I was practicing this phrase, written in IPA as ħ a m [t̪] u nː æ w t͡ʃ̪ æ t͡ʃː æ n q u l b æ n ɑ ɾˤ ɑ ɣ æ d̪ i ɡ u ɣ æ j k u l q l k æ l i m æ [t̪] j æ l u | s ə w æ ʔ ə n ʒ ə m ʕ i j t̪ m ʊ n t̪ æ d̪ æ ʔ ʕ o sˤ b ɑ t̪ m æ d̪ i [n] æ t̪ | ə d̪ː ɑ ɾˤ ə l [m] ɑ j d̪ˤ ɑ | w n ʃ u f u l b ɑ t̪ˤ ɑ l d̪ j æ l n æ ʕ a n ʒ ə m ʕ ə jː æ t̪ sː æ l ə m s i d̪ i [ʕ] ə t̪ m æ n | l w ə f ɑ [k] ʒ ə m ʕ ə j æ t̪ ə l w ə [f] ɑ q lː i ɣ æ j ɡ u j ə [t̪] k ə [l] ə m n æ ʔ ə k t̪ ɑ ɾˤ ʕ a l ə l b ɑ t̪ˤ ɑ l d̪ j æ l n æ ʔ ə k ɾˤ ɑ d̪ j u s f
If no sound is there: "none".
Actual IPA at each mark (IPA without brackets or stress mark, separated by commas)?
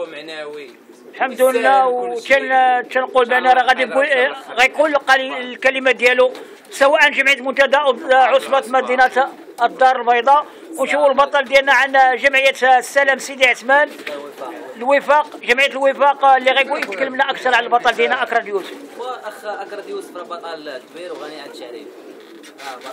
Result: d̪, d̪, n, b, ʕ, q, f, t̪, lː